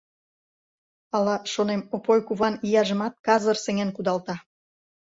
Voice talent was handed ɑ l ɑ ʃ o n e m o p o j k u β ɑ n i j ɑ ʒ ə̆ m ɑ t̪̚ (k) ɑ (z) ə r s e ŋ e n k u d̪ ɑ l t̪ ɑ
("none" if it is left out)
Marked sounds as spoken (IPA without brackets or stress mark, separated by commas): k, z